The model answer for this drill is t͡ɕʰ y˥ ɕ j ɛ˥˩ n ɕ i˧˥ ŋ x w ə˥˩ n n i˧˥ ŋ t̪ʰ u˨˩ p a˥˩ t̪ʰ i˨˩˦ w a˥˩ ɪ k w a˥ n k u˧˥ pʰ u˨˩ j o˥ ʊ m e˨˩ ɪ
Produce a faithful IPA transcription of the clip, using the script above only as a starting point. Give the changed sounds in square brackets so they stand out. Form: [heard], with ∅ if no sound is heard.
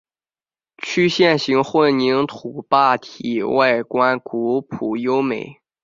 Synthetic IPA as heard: t͡ɕʰ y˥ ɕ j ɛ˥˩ n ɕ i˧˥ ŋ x w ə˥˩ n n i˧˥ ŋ t̪ʰ u˨˩ p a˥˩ t̪ʰ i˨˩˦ w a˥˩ ɪ k w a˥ n k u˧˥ pʰ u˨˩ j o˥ ʊ m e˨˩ ɪ

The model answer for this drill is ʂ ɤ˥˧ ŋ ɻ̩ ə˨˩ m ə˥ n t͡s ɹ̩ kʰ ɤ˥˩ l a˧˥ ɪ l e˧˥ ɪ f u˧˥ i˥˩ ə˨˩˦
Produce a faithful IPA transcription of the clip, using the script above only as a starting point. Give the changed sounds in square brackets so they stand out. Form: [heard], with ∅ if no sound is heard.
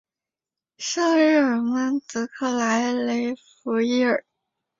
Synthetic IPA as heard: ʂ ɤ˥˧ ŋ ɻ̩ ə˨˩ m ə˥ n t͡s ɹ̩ kʰ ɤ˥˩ l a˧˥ ɪ l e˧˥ ɪ f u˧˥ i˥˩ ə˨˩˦

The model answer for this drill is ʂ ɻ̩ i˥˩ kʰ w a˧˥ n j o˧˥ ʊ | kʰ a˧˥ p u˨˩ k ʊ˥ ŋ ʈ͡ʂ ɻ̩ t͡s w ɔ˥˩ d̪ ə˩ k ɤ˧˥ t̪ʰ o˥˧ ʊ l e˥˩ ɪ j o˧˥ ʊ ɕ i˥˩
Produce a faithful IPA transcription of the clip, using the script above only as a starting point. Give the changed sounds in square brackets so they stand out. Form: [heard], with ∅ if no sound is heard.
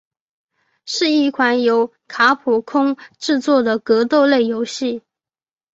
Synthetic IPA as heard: ʂ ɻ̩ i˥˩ kʰ w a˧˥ n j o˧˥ ʊ | kʰ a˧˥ [pʰ] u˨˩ [kʰ] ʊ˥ ŋ ʈ͡ʂ ɻ̩ t͡s w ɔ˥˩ d̪ ə˩ k ɤ˧˥ [t̪] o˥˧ ʊ l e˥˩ ɪ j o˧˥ ʊ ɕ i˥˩

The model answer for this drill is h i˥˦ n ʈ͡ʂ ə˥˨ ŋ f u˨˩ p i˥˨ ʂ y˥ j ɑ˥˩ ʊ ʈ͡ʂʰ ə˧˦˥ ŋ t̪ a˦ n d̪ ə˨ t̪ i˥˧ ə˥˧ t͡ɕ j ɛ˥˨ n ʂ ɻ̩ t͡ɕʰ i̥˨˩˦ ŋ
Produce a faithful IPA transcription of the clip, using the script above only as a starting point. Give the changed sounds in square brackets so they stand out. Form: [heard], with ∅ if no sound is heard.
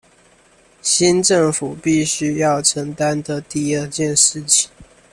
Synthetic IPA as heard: [ɕ] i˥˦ n ʈ͡ʂ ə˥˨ ŋ f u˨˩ p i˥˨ [ɕ] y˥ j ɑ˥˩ ʊ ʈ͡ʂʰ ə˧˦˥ ŋ t̪ a˦ n d̪ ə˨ t̪ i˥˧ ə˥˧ t͡ɕ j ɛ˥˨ n ʂ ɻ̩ t͡ɕʰ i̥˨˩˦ ŋ

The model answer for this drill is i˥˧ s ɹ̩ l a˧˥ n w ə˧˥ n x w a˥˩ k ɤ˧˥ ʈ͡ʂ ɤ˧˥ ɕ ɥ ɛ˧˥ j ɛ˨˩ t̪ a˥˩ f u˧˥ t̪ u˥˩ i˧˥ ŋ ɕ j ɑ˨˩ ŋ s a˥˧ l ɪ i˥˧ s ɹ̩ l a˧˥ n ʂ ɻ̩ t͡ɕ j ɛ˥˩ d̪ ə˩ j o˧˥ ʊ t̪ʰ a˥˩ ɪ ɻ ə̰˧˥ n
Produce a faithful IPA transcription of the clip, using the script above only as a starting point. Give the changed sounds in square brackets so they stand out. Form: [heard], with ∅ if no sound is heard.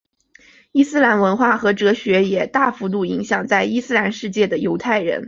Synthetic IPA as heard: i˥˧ s ɹ̩ l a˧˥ n w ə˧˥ n x w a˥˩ [x] ɤ˧˥ ʈ͡ʂ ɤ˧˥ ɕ ɥ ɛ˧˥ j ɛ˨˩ t̪ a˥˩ f u˧˥ t̪ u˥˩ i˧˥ ŋ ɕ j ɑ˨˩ ŋ [t͡s] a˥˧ [∅] ɪ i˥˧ s ɹ̩ l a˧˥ n ʂ ɻ̩ t͡ɕ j ɛ˥˩ d̪ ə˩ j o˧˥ ʊ t̪ʰ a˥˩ ɪ ɻ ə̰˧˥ n

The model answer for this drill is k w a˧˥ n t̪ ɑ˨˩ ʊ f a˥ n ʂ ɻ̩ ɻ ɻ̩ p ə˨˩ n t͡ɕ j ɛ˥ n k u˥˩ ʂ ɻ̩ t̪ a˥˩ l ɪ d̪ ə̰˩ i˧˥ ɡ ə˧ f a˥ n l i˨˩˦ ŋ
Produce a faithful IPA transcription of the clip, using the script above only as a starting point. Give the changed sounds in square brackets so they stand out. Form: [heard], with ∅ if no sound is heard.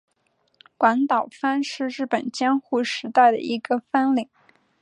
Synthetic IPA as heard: k w a˧˥ n t̪ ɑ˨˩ ʊ f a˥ n ʂ ɻ̩ ɻ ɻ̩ p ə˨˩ n t͡ɕ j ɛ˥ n [x] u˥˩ ʂ ɻ̩ t̪ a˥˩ [∅] ɪ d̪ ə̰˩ i˧˥ ɡ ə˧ f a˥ n l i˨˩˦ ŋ

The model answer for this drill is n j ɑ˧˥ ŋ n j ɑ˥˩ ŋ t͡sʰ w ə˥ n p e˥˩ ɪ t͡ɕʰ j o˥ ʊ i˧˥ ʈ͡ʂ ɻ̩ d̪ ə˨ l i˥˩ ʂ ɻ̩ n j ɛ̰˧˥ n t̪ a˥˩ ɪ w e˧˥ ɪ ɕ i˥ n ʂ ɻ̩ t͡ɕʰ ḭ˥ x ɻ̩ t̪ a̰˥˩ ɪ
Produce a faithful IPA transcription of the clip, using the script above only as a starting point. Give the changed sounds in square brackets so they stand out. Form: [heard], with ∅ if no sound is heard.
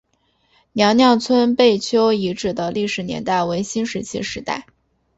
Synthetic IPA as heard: n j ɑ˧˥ ŋ n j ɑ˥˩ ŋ t͡sʰ w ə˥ n p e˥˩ ɪ t͡ɕʰ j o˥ ʊ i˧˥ ʈ͡ʂ ɻ̩ d̪ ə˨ l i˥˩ ʂ ɻ̩ n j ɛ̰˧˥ n t̪ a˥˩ ɪ w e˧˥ ɪ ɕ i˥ n ʂ ɻ̩ t͡ɕʰ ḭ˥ [ʂ] ɻ̩ t̪ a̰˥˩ ɪ

